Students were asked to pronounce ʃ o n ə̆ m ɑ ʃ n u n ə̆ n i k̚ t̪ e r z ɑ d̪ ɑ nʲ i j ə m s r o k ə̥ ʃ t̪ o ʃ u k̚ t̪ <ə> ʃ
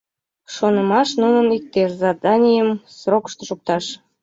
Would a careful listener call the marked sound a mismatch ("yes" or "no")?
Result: yes